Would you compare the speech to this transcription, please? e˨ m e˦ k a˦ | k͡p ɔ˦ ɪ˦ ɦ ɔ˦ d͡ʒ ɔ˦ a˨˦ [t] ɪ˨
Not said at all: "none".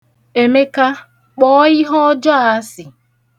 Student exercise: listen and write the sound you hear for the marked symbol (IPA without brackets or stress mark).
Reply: s